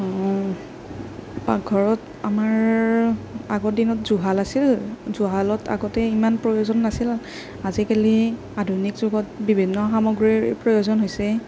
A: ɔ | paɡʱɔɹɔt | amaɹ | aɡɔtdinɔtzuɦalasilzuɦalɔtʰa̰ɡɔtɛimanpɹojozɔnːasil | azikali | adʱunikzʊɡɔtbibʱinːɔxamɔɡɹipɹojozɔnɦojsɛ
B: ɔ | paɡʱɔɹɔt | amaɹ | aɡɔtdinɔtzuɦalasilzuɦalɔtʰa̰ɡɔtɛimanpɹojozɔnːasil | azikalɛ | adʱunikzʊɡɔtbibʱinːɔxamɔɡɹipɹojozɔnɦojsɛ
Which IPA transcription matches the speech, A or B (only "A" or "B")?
A